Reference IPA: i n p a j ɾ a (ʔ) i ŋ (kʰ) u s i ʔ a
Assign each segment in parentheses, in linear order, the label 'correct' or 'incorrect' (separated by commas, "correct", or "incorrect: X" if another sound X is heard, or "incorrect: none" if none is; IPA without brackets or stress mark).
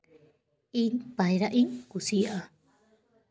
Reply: correct, incorrect: k